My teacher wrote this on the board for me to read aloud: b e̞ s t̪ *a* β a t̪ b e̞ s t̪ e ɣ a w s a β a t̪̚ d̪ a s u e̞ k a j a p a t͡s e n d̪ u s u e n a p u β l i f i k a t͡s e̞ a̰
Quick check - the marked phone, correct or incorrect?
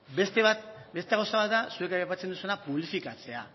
incorrect